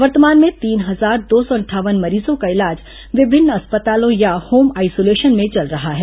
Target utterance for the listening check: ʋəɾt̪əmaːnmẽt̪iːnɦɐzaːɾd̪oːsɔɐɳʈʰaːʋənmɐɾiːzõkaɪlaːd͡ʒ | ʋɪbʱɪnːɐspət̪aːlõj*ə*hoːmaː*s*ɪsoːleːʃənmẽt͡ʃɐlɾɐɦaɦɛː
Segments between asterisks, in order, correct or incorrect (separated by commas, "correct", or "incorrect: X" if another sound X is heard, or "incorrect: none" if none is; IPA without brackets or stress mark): incorrect: a, incorrect: none